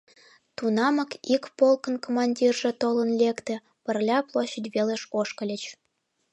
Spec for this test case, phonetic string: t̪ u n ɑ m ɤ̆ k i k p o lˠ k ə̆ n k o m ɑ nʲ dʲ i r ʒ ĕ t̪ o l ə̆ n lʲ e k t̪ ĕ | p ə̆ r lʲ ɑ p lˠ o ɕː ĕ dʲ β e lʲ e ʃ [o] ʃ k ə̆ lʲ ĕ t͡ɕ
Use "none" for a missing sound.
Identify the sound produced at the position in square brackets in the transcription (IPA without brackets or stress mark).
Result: o